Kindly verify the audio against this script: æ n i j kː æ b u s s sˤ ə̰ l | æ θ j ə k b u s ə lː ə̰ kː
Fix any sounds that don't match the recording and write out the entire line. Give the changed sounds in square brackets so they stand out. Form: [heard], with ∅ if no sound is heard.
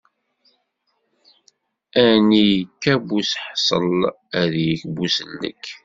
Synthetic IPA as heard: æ n i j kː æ b u s [ħ] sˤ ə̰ l | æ [ð] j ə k b u s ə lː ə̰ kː